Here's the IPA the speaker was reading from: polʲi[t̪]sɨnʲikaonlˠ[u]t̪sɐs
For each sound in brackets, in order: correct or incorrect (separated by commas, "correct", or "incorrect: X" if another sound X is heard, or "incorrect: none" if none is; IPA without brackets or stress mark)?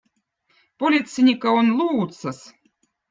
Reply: correct, incorrect: uː